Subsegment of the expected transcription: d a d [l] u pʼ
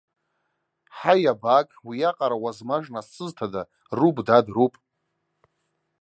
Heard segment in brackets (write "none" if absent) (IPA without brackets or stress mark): r